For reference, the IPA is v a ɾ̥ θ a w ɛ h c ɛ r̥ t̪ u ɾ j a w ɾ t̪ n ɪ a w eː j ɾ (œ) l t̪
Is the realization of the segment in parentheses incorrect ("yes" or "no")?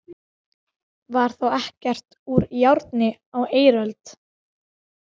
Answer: no